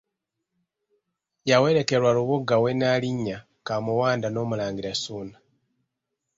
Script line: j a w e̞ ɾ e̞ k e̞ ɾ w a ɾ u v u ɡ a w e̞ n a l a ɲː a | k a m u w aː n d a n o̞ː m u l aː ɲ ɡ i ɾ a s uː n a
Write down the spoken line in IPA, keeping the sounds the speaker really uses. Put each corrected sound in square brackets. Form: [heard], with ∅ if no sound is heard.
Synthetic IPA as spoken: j a w e̞ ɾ e̞ k e̞ ɾ w a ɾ u [β] u ɡ a w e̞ n a l [i] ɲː a | k a m u w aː n d a n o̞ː m u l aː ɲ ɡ i ɾ a s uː n a